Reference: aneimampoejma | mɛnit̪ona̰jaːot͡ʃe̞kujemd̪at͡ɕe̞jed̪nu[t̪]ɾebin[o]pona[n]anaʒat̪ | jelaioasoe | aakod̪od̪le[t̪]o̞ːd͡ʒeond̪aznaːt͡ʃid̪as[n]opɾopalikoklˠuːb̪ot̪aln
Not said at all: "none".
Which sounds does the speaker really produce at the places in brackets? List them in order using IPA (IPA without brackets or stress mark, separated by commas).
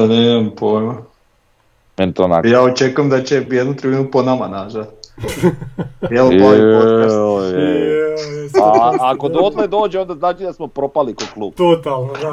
t̪, u, m, d̪, m